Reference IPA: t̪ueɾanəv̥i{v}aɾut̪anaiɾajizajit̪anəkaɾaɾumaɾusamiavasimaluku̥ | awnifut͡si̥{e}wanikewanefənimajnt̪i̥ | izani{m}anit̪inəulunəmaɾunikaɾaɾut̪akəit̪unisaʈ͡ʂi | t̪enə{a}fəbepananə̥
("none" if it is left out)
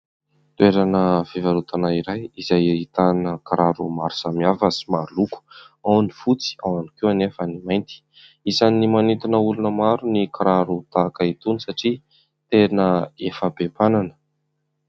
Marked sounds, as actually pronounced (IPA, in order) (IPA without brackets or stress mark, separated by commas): v, a, m, e